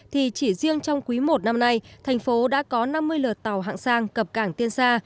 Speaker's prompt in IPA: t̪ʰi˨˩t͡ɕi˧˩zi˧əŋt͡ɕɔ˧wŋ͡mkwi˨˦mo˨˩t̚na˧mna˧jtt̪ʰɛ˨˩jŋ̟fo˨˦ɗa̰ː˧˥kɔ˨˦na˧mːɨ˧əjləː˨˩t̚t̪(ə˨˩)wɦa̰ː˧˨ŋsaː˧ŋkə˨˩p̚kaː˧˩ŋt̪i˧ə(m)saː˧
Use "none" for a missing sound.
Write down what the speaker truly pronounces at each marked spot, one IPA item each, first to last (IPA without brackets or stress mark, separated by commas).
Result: a˨˩, n